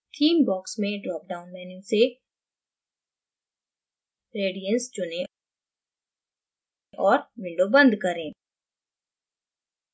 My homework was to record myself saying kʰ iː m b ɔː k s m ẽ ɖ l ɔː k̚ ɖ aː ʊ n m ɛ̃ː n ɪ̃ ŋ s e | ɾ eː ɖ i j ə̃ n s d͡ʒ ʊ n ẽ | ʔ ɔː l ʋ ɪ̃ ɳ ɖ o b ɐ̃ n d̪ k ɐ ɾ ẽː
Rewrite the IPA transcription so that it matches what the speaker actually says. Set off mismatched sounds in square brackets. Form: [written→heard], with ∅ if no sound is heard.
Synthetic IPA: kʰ iː m b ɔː k s m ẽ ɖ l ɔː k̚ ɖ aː ʊ n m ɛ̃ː n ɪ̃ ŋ s e | ɾ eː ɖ i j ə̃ n s d͡ʒ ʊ n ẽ | ʔ ɔː [l→ɾ] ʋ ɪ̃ ɳ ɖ o b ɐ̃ n d̪ k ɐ ɾ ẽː